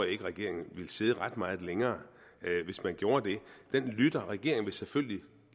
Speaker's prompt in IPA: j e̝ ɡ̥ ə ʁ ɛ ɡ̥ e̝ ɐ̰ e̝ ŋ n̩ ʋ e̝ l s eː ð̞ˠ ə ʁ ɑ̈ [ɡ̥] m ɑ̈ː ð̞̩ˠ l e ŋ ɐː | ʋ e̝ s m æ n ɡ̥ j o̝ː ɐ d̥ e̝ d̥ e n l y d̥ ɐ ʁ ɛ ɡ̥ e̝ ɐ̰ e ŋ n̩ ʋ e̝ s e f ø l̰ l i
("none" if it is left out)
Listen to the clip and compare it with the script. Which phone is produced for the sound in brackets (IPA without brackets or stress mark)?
d̥